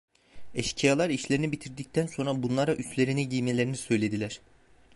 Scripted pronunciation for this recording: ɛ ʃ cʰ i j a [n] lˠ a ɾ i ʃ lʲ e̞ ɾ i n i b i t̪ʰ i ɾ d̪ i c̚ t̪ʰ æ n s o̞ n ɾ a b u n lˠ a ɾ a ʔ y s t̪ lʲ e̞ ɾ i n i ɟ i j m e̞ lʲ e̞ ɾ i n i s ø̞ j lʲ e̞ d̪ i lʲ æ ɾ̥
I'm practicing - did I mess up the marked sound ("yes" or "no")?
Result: yes